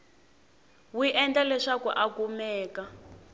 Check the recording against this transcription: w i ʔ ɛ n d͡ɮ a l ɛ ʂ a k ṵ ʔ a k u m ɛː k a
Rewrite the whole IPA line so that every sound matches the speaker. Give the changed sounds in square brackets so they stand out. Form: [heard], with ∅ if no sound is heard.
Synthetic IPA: w i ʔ ɛ n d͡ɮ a l ɛ ʂ a k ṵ ʔ a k u m ɛː k a